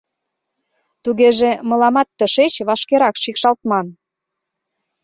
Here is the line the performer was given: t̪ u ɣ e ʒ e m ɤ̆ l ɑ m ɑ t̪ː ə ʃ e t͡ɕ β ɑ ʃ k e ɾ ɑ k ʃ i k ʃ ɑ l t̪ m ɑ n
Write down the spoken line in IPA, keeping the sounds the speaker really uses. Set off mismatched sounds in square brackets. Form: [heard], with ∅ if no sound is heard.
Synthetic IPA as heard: t̪ u ɣ e ʒ e m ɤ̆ l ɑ m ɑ t̪ː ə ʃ e t͡ɕ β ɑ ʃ k e ɾ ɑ k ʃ i k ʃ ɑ l t̪ m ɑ n